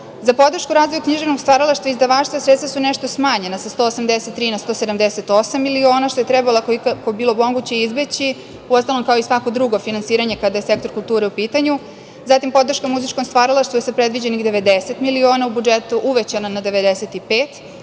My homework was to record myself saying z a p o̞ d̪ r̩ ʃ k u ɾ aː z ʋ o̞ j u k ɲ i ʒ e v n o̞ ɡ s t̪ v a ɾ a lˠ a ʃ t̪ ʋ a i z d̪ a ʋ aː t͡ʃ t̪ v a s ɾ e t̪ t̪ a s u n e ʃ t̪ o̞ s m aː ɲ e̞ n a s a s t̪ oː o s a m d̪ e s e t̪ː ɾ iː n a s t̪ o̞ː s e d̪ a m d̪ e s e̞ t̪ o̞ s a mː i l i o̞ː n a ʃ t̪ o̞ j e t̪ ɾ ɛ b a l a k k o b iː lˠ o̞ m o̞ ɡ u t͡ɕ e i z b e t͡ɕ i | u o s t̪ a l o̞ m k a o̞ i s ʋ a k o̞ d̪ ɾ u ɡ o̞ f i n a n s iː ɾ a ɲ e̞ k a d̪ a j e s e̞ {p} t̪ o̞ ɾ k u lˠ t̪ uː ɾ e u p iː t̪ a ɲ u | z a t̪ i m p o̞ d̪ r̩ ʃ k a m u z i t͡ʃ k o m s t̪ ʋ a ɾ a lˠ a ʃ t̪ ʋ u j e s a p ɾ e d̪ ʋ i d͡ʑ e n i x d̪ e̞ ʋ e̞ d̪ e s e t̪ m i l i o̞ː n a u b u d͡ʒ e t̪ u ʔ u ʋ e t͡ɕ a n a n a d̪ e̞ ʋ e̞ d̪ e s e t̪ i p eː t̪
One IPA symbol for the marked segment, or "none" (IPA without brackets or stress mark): k